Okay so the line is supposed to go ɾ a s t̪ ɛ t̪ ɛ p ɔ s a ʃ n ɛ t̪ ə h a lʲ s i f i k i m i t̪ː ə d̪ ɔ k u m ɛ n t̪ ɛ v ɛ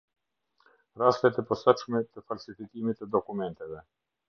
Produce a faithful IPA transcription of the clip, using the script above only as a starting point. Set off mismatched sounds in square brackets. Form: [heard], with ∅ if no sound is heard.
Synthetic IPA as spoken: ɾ a s t̪ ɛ t̪ ɛ p ɔ s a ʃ [m] ɛ t̪ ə [f] a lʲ s i f i k i m i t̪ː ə d̪ ɔ k u m ɛ n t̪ ɛ v ɛ